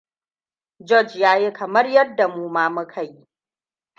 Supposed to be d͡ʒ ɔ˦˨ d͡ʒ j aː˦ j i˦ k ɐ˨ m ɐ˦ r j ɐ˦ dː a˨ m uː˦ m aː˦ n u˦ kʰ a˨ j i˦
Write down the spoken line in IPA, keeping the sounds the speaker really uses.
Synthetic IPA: d͡ʒ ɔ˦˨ d͡ʒ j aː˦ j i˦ k ɐ˨ m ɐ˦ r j ɐ˦ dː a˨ m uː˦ m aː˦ m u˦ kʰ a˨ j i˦